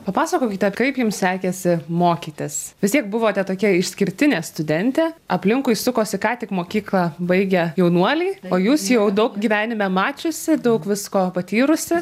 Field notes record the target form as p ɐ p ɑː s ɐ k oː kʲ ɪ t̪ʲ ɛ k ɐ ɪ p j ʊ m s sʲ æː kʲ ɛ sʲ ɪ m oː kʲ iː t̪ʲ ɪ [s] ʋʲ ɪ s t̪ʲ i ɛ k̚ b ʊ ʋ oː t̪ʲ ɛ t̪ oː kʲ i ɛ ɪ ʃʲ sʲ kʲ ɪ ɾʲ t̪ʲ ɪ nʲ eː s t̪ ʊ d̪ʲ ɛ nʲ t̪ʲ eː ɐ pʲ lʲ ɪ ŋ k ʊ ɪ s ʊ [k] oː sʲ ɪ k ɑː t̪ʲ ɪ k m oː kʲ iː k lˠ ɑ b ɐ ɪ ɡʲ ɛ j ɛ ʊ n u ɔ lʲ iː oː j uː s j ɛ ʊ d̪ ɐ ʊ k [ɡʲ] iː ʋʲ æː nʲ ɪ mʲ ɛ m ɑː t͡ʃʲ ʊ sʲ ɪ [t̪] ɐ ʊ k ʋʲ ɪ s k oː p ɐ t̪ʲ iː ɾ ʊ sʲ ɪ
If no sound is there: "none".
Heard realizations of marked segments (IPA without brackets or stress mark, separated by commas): s, k, ɡʲ, d̪